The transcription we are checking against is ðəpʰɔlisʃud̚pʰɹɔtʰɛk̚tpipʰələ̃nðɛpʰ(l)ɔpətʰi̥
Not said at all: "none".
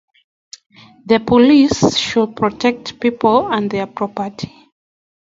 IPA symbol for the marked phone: ɹ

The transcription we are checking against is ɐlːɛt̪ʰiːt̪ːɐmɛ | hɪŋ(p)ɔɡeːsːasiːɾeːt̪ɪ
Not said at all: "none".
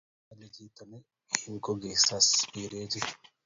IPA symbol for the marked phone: k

